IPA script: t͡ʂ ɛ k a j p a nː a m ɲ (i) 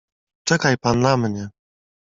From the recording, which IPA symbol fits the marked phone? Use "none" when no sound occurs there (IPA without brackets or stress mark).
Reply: ɛ